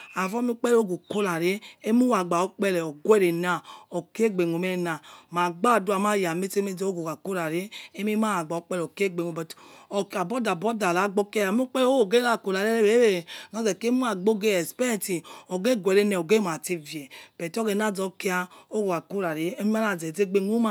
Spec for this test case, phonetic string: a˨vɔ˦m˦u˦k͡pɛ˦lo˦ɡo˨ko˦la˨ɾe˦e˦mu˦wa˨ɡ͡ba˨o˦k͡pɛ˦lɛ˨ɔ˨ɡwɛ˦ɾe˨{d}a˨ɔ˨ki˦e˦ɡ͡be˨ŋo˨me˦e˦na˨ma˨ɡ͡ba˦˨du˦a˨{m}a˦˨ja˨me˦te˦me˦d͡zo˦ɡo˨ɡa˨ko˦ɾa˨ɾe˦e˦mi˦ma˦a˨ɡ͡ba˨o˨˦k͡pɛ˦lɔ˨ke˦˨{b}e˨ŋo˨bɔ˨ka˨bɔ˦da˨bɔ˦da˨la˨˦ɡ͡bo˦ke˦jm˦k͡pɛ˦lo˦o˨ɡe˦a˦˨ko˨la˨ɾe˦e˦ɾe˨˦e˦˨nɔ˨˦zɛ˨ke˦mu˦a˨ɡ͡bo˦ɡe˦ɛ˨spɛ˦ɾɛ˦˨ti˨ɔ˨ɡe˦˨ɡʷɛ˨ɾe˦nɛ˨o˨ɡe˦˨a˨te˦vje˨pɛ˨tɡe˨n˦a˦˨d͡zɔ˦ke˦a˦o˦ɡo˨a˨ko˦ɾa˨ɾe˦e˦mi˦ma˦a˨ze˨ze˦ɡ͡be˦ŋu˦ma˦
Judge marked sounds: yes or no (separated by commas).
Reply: no, yes, no